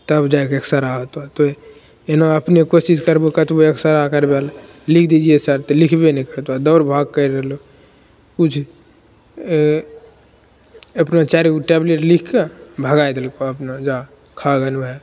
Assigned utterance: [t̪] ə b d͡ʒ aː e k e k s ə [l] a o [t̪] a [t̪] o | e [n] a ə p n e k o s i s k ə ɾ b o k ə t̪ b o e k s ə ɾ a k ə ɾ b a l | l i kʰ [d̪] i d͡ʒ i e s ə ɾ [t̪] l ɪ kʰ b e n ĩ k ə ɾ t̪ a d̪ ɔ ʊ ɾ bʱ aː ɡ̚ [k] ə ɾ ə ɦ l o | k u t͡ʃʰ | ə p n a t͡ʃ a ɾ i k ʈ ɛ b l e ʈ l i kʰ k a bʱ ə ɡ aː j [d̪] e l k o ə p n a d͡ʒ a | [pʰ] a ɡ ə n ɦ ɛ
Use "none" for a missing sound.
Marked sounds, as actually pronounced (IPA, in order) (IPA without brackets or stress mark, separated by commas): t̪, ɾ, t̪, t̪, n, d̪, t̪, k, d̪, kʰ